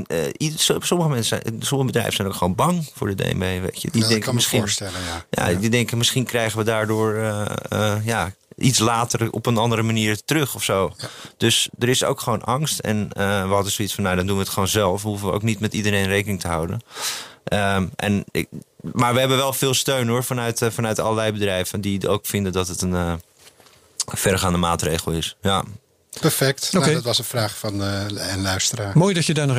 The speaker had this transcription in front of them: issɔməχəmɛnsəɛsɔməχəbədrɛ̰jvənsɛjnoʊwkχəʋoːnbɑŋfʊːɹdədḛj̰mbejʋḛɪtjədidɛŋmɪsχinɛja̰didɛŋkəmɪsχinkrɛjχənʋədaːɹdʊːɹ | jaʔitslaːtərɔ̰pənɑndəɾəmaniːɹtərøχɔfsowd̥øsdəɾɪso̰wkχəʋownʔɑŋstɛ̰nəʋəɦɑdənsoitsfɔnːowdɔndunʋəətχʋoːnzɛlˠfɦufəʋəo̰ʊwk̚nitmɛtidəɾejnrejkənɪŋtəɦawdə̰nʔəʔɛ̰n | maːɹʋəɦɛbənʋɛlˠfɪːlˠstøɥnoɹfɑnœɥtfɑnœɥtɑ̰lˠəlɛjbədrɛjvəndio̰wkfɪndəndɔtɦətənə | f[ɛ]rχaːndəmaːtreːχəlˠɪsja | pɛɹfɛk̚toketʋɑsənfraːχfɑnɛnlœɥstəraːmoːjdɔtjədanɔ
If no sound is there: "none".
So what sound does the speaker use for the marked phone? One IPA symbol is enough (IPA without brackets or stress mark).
ɛ